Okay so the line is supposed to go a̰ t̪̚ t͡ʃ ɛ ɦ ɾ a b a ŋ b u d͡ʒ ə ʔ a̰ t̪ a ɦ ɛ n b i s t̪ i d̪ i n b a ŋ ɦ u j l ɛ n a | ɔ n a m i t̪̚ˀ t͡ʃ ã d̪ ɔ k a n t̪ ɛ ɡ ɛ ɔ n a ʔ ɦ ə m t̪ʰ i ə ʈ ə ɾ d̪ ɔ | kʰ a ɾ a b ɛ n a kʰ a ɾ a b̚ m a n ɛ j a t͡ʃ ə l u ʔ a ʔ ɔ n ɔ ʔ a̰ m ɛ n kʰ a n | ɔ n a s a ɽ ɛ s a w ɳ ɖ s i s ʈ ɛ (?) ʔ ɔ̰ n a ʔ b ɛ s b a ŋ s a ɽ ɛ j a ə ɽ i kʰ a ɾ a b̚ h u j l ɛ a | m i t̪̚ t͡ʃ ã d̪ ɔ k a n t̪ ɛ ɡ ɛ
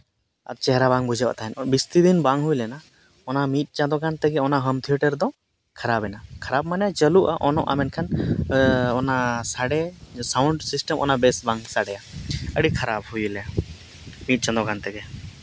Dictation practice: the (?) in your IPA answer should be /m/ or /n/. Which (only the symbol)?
m